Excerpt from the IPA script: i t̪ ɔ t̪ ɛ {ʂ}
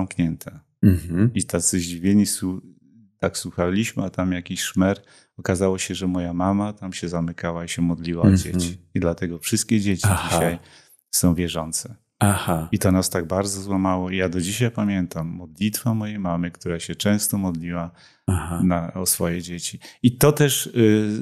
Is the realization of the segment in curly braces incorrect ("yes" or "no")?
no